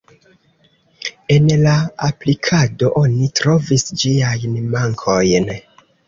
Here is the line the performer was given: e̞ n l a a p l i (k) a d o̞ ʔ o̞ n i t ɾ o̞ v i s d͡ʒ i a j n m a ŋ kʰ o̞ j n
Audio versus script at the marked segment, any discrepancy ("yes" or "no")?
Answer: yes